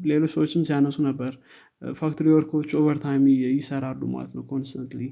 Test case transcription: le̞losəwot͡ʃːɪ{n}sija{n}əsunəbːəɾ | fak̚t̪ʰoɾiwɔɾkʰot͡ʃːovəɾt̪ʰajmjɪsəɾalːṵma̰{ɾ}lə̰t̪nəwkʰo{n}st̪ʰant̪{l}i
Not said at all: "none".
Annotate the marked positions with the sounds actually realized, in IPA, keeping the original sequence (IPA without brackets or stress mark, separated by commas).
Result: m, n, none, n, l